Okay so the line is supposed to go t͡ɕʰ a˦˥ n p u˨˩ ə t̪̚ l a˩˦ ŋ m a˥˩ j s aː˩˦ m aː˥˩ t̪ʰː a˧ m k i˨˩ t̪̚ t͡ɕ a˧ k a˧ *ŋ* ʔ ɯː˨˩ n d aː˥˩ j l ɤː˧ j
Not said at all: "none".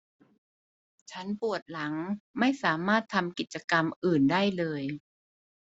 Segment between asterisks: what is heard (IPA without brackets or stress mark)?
m